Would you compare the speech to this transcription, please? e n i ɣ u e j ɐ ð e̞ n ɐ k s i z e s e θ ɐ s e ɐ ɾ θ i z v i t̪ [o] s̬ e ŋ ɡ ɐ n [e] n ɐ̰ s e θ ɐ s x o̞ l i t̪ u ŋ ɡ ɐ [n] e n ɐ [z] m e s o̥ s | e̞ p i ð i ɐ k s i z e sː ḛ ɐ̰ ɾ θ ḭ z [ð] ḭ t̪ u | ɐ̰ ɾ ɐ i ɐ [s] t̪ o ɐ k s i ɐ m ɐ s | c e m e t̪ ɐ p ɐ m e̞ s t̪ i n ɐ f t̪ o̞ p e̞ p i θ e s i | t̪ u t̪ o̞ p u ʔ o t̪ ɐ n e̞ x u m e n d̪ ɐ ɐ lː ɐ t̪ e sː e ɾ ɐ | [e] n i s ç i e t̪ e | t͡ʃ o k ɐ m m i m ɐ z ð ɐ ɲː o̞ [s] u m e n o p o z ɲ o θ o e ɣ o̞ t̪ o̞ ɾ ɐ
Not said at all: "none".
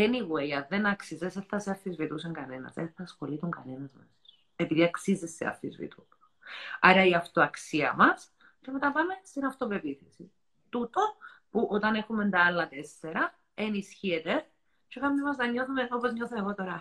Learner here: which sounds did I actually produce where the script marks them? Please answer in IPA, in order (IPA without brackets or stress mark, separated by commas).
u, e, n, z, v, f, e, θ